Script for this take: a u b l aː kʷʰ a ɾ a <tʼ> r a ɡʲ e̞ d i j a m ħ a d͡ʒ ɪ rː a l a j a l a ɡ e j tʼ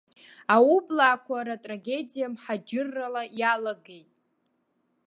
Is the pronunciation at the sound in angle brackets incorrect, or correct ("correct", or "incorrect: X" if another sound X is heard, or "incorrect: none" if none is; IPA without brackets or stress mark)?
correct